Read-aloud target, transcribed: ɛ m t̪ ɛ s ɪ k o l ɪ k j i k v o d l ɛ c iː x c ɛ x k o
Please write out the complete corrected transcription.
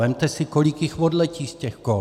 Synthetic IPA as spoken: ɛ m t̪ ɛ s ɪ k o l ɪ k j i x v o d l ɛ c iː s c ɛ x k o